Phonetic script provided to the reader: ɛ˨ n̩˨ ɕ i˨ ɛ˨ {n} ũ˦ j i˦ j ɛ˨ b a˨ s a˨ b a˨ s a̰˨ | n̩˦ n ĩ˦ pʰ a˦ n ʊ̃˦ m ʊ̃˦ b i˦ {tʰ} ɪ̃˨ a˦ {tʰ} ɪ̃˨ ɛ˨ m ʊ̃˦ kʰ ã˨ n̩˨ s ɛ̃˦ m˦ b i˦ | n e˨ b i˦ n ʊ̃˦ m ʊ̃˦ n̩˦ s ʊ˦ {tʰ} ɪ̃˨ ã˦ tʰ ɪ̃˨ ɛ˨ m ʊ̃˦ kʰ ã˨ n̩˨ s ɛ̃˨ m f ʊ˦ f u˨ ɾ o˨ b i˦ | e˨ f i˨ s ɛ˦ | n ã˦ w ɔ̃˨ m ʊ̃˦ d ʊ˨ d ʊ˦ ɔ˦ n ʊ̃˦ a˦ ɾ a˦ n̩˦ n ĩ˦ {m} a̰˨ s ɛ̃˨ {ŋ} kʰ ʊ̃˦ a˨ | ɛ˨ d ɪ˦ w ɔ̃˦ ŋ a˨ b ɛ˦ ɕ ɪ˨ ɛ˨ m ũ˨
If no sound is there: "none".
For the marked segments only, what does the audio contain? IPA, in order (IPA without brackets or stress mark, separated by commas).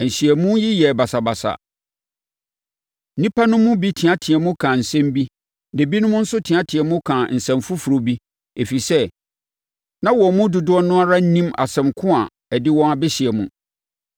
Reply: m, tʰ, tʰ, tʰ, m, m